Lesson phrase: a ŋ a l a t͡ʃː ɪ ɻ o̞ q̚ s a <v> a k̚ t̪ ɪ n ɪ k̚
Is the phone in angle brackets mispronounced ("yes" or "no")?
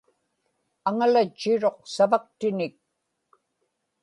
no